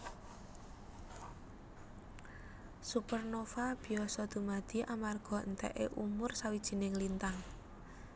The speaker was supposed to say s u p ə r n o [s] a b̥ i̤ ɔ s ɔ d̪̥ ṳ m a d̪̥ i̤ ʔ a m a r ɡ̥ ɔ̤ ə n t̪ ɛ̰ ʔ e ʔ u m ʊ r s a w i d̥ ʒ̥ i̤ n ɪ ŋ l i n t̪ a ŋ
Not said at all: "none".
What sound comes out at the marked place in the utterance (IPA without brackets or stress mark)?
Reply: f